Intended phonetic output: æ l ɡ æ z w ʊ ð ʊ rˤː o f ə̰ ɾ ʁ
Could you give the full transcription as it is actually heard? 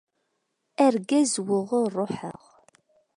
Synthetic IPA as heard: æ ɾ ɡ æ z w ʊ ʁ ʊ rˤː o ħ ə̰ ʁ